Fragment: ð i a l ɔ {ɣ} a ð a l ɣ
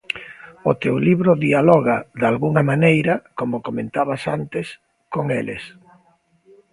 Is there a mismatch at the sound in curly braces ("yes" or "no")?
no